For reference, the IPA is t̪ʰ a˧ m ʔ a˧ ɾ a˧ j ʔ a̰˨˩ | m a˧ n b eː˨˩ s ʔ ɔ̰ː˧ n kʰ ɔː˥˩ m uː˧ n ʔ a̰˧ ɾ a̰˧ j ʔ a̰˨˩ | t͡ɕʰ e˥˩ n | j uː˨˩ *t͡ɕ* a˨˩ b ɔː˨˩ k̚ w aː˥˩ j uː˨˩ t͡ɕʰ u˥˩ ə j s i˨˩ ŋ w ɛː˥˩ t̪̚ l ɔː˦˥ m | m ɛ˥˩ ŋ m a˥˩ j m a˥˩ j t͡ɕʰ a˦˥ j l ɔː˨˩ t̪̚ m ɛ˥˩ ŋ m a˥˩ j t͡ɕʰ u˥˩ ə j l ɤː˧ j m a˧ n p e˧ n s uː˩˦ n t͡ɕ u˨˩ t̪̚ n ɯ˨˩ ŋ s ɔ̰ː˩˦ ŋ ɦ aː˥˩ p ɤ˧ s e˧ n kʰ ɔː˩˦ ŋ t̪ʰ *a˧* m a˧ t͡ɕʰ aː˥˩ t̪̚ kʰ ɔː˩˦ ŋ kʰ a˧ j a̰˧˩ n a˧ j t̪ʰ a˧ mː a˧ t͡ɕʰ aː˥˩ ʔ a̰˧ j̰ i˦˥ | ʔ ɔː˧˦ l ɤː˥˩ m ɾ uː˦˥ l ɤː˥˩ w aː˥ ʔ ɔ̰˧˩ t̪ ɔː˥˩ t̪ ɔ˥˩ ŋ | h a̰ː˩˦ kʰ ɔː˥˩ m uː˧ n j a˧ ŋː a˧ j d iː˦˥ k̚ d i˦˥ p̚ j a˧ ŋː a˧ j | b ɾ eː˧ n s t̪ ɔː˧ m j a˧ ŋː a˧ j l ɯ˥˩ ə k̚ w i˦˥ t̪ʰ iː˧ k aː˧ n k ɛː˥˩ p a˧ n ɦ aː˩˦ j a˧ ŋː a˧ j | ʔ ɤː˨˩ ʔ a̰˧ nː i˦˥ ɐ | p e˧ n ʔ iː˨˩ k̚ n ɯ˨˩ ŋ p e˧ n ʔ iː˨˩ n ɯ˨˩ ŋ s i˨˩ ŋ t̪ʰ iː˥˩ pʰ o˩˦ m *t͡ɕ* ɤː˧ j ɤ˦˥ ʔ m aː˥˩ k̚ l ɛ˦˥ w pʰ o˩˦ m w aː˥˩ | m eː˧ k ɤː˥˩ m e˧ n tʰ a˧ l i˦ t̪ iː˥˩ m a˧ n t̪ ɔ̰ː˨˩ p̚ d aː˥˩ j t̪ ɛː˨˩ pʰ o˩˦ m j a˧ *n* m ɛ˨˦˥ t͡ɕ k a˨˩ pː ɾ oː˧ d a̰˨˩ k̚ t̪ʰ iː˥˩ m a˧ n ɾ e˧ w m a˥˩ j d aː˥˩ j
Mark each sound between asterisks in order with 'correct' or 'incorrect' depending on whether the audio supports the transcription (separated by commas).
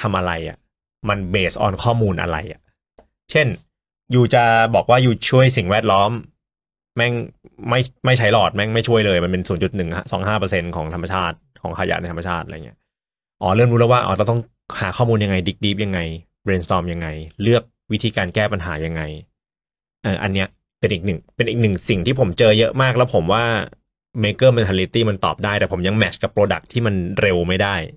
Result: correct, correct, correct, incorrect